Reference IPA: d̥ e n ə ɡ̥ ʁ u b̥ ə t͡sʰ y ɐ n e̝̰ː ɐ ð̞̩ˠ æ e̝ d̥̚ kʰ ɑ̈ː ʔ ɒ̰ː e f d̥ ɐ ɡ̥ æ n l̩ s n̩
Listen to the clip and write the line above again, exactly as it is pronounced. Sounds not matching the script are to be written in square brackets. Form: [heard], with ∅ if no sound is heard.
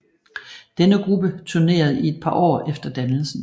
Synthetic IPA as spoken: d̥ e n ə ɡ̥ ʁ u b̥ ə t͡sʰ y ɐ n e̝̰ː ɐ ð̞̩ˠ [i] e̝ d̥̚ [pʰ] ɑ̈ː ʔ ɒ̰ː e f d̥ ɐ [d̥] æ n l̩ s n̩